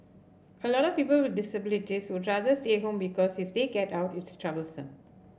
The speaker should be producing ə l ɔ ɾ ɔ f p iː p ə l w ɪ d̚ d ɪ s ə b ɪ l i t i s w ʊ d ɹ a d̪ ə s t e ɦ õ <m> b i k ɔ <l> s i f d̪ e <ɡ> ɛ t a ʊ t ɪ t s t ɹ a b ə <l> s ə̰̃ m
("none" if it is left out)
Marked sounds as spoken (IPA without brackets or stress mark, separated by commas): m, none, ɡ, l